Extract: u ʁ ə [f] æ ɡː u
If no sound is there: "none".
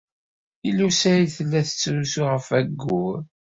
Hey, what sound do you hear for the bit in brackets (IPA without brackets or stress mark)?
f